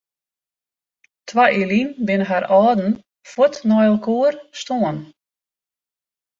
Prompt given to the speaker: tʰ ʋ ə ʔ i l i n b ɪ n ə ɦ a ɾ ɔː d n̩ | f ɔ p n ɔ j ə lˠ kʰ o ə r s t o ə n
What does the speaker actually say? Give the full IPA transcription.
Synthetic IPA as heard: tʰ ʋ a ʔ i l i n b ɪ n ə ɦ a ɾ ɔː d n̩ | f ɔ t n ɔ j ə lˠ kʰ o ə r s t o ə n